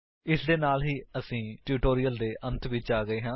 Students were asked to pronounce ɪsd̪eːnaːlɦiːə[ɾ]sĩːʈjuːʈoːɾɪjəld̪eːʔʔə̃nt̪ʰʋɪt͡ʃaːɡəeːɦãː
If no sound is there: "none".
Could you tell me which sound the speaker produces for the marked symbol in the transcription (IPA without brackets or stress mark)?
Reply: none